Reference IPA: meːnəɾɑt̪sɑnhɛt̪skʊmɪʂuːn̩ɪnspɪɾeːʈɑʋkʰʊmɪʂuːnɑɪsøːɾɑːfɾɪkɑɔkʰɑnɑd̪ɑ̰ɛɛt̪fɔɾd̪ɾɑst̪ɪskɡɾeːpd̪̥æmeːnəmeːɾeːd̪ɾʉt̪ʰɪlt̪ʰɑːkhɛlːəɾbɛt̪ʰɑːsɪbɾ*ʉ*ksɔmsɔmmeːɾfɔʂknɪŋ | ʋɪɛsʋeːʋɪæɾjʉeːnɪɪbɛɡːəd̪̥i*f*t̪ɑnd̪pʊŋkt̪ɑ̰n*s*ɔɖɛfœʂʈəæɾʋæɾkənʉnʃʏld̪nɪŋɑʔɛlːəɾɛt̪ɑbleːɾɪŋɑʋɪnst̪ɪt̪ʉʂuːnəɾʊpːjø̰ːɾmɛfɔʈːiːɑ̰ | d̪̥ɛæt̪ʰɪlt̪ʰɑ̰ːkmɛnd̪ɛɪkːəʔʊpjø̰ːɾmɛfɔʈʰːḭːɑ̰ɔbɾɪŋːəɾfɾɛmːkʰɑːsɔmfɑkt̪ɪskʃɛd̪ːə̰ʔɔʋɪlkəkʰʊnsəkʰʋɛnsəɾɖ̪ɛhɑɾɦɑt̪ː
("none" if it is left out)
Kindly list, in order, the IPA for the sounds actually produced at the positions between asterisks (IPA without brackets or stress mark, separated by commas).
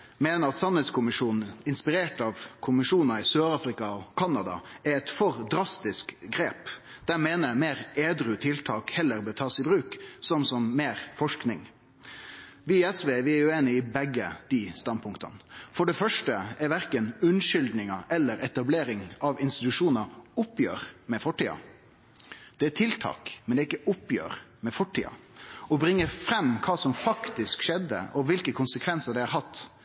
ʉː, s, f